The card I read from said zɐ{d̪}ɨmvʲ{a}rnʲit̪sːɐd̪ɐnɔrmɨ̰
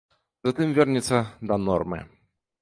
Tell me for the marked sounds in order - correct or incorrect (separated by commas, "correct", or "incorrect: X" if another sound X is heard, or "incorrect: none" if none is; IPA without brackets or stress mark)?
incorrect: t̪, incorrect: ɛ